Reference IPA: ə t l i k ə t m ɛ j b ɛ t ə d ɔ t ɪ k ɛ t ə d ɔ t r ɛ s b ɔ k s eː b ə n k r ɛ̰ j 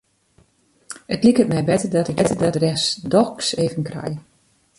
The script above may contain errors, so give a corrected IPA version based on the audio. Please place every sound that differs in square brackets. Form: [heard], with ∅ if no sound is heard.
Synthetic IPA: ə t l i k ə t m ɛ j b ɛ t ə d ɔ t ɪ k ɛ t ə d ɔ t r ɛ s [d] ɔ k s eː [v] ə n k r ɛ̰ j